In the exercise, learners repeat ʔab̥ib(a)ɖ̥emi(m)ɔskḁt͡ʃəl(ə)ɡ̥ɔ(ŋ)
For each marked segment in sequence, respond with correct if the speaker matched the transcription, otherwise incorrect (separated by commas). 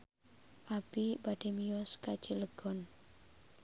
correct, incorrect, correct, incorrect